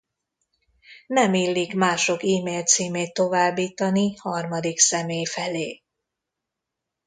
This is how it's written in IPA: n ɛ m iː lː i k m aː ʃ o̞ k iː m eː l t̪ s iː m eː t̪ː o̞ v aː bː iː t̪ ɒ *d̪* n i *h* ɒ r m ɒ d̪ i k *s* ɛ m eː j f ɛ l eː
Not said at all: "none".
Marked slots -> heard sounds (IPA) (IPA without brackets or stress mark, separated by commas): none, h, s